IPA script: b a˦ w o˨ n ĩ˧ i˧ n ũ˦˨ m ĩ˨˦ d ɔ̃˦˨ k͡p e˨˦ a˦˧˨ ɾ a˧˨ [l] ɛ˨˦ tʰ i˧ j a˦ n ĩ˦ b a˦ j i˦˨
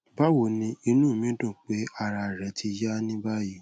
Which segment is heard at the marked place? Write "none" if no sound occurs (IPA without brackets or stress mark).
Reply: ɾ